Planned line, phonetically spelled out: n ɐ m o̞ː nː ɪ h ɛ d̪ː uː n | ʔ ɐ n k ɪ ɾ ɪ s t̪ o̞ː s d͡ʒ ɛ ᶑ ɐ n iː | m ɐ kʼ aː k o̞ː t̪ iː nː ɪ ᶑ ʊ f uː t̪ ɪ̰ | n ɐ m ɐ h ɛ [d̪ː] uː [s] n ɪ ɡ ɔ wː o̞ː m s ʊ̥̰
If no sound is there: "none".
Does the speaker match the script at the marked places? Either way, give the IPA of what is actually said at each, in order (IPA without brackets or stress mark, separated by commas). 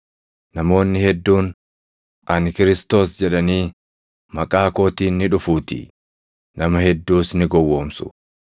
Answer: d̪ː, s